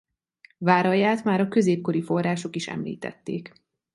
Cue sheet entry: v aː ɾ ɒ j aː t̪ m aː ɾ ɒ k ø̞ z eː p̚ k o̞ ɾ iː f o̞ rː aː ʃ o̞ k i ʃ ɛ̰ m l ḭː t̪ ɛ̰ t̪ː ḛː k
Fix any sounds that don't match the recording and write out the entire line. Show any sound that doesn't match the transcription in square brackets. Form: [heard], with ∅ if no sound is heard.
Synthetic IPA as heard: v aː ɾ ɒ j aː t̪ m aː ɾ ɒ k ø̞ z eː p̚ k o̞ ɾ [i] f o̞ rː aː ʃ o̞ k i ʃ ɛ̰ m l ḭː t̪ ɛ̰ t̪ː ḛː k

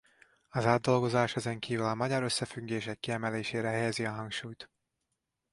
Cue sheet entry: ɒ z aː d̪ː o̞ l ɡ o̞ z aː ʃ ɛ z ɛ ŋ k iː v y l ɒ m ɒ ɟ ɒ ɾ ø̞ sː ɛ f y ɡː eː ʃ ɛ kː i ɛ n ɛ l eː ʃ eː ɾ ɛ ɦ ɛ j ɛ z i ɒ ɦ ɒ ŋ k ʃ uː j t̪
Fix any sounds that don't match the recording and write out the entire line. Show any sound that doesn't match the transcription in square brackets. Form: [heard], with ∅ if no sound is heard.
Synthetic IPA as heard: ɒ z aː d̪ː o̞ l ɡ o̞ z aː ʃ ɛ z ɛ ŋ k iː v y l ɒ m ɒ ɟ ɒ ɾ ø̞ sː ɛ f y ɡː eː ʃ ɛ kː i ɛ [m] ɛ l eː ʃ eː ɾ ɛ ɦ ɛ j ɛ z i ɒ ɦ ɒ ŋ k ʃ uː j t̪

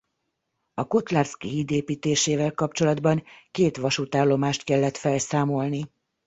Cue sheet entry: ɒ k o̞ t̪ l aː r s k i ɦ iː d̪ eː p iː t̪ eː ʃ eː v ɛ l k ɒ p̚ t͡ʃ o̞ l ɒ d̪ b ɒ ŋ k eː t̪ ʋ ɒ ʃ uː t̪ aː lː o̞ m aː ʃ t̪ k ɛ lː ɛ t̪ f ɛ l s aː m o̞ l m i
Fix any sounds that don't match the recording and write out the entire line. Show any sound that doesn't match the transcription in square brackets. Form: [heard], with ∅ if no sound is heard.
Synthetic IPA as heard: ɒ k o̞ t̪ l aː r s k i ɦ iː d̪ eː p iː t̪ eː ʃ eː v ɛ l k ɒ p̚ t͡ʃ o̞ l ɒ d̪ b ɒ ŋ k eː t̪ ʋ ɒ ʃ [u] t̪ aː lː o̞ m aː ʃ t̪ k ɛ lː ɛ t̪ f ɛ l s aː m o̞ l [n] i

